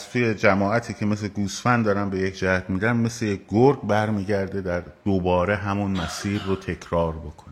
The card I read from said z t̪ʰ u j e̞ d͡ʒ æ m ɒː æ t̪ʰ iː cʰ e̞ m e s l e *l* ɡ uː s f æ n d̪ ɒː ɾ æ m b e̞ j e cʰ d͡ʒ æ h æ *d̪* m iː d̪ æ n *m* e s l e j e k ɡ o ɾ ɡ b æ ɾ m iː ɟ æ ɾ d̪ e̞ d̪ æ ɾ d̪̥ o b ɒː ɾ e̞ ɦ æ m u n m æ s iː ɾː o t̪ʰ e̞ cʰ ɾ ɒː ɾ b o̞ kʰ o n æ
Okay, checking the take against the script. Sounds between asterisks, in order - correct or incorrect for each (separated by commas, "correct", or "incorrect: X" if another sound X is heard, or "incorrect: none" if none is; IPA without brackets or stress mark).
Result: incorrect: none, incorrect: t̪, correct